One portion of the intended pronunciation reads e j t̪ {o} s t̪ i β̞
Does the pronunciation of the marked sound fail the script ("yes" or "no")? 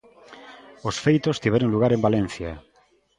no